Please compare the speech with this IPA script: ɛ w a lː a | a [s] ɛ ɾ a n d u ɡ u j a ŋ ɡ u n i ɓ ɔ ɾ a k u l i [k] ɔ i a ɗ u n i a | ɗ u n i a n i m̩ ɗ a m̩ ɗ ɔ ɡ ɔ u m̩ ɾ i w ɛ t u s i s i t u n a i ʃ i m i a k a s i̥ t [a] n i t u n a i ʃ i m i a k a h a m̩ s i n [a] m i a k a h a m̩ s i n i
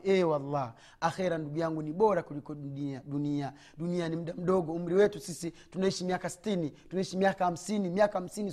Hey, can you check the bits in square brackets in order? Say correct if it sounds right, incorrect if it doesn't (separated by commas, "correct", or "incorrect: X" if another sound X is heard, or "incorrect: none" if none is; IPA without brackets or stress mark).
incorrect: x, correct, incorrect: i, incorrect: i